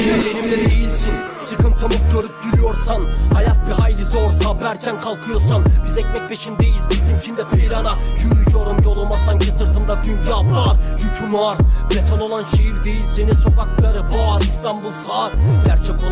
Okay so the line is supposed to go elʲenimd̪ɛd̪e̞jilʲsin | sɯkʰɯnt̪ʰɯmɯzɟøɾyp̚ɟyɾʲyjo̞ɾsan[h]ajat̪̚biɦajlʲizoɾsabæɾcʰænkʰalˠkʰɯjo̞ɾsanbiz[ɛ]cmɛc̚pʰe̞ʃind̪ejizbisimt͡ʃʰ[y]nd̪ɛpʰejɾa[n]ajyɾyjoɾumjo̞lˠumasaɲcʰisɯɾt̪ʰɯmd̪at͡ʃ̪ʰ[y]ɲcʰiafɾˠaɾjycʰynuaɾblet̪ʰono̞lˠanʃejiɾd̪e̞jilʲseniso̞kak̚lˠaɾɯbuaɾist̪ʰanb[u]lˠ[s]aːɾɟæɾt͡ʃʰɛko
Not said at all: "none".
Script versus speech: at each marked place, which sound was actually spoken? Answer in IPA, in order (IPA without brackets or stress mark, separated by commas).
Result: h, ɛ, i, n, y, u, s